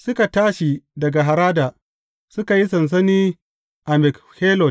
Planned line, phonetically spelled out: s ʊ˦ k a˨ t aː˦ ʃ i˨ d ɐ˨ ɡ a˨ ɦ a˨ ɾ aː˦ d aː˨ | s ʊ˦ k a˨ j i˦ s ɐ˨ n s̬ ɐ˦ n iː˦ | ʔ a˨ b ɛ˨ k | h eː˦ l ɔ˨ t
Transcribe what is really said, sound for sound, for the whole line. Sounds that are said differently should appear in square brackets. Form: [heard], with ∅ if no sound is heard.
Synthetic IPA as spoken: s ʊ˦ k a˨ t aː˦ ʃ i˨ d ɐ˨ ɡ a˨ ɦ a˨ ɾ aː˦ d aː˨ | s ʊ˦ k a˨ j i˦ s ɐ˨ n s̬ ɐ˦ n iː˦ | ʔ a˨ [m] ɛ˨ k | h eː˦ l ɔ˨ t